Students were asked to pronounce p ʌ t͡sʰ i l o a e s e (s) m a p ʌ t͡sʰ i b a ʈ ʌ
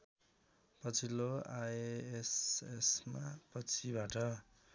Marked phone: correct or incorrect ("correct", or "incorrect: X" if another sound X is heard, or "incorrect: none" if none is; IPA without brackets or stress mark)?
correct